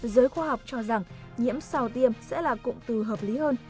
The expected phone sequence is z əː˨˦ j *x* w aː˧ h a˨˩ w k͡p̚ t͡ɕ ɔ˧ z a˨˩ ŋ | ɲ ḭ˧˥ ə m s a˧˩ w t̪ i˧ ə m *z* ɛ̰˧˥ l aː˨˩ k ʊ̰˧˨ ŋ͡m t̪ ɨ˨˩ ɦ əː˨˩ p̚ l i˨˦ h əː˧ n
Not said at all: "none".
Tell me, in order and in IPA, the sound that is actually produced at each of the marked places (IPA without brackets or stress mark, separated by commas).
x, s